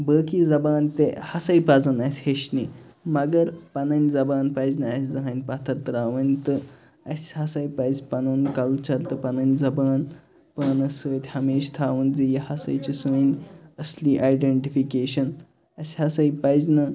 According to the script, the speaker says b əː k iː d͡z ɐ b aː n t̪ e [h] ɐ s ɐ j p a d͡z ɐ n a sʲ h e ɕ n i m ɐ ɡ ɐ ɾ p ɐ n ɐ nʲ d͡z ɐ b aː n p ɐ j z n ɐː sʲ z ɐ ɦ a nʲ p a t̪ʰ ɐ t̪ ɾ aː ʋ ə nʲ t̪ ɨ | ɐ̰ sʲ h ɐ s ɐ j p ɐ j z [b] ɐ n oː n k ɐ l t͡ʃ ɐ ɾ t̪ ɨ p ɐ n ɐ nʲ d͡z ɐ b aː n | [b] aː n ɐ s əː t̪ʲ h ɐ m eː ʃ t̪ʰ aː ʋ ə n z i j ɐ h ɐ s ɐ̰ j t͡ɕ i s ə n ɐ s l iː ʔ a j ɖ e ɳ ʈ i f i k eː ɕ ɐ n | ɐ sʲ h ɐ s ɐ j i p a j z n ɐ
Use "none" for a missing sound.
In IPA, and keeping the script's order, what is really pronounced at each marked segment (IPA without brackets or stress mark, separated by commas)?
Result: h, p, p